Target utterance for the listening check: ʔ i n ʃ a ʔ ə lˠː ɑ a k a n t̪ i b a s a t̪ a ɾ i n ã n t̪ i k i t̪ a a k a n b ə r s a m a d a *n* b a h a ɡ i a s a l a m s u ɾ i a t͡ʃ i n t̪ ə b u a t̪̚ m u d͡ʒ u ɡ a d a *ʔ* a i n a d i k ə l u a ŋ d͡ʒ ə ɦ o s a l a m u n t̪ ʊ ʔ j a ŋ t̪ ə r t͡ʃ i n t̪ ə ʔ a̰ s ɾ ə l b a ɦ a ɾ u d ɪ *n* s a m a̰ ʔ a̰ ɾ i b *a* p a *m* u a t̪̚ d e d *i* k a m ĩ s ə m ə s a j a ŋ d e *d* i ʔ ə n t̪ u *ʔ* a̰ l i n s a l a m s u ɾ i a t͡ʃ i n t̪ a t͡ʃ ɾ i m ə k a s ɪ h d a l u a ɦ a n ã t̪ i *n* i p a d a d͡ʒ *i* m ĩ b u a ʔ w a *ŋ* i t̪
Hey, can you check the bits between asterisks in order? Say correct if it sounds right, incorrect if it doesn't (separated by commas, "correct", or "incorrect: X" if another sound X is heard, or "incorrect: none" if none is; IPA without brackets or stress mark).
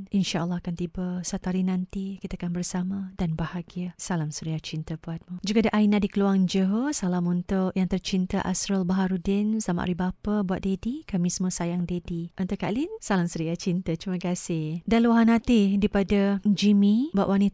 correct, correct, correct, correct, incorrect: b, correct, correct, incorrect: k, incorrect: d, correct, incorrect: n